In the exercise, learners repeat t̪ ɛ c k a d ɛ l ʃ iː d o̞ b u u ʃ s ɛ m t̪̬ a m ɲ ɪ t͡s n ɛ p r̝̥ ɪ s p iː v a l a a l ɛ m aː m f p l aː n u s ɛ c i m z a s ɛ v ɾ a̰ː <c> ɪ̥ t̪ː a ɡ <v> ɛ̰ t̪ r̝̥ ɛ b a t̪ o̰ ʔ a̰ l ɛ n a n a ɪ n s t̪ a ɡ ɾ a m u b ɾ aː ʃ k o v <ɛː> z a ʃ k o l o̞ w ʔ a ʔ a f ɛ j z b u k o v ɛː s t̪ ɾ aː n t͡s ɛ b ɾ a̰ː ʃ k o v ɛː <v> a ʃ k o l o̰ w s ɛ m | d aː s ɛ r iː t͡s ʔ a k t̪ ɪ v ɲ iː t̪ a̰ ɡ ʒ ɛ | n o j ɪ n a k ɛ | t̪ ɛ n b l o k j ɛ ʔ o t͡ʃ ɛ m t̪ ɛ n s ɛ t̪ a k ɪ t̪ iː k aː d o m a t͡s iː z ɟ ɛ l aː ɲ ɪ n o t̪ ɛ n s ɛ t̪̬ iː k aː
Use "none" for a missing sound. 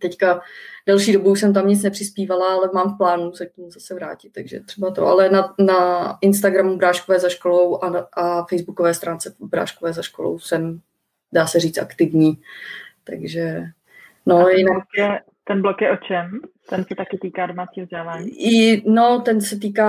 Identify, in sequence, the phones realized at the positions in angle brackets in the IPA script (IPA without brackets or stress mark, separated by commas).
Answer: c, ʒ, ɛː, z